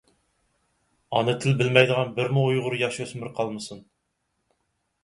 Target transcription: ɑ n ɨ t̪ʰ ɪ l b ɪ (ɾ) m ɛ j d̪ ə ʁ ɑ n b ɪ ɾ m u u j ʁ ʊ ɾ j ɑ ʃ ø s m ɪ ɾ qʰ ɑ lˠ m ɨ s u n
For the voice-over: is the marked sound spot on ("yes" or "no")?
no